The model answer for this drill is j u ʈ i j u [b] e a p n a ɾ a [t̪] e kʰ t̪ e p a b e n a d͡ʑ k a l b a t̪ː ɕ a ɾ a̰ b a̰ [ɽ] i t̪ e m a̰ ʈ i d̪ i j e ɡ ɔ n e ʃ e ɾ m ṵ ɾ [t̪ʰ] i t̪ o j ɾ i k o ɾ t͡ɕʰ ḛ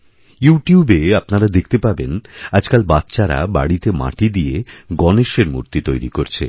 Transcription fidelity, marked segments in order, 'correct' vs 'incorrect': correct, incorrect: d̪, correct, incorrect: t̪

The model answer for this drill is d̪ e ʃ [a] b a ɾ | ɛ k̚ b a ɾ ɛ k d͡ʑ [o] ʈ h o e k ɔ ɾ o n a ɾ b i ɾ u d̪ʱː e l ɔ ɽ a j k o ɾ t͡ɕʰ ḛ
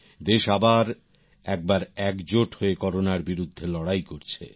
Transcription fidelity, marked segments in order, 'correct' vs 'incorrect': correct, correct

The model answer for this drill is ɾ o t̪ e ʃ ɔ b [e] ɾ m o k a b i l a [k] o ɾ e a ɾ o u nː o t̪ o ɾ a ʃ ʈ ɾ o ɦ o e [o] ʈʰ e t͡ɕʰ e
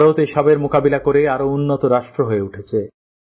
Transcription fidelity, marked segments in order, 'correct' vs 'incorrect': correct, correct, incorrect: u

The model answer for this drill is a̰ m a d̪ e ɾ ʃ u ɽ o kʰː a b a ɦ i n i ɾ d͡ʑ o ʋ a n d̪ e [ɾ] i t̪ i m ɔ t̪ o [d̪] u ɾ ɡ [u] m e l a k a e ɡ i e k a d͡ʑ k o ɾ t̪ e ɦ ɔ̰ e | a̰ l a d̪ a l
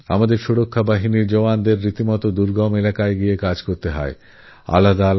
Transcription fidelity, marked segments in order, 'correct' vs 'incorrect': incorrect: ɾː, correct, incorrect: ɔ

